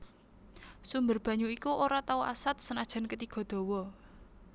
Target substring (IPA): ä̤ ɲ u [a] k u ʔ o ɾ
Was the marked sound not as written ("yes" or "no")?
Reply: yes